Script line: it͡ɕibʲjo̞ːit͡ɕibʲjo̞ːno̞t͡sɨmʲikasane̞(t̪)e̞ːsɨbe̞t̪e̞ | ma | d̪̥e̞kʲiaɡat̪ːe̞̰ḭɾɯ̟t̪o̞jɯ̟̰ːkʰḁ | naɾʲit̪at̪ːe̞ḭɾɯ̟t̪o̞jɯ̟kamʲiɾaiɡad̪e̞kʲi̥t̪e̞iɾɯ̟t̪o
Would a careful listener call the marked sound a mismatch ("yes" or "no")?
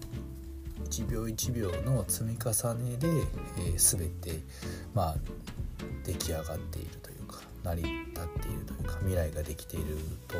yes